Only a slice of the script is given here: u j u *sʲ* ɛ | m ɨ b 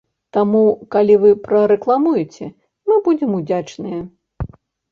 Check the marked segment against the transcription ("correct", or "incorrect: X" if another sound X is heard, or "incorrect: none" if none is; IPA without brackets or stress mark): incorrect: t͡sʲ